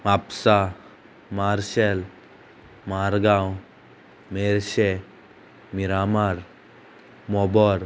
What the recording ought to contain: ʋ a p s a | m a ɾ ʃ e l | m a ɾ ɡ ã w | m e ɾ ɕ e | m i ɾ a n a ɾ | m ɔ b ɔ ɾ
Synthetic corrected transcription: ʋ a p s a | m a ɾ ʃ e l | m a ɾ ɡ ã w | m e ɾ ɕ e | m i ɾ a m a ɾ | m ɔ b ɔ ɾ